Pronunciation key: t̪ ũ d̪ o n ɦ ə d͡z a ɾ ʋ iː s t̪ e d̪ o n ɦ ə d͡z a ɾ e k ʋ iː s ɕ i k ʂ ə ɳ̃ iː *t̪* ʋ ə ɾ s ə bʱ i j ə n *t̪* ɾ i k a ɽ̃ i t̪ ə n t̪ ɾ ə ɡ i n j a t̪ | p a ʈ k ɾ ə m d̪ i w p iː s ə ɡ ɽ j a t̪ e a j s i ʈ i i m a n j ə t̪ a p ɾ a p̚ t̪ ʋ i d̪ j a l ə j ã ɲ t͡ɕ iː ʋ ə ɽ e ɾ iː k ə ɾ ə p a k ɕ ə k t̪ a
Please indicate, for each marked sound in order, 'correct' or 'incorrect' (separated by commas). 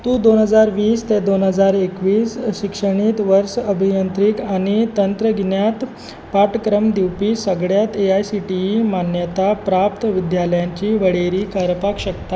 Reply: correct, correct